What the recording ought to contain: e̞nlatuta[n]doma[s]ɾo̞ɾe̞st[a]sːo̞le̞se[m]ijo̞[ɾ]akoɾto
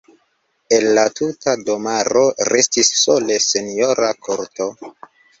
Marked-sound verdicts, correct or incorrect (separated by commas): incorrect, incorrect, incorrect, incorrect, correct